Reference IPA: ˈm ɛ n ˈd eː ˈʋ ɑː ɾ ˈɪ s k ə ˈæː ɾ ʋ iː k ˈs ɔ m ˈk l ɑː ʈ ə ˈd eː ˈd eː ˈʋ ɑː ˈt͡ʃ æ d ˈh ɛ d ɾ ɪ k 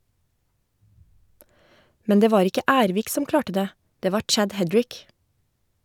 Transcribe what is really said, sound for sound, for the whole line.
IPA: ˈm ɛ n ˈd eː ˈʋ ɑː ɾ ˈɪ k ə ˈæː ɾ ʋ iː k ˈs ɔ m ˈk l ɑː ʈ ə ˈd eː ˈd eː ˈʋ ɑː ˈt͡ʃ æ d ˈh ɛ d ɹ ɪ k